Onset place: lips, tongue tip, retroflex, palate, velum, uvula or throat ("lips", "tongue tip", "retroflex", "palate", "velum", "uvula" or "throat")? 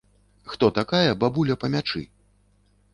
velum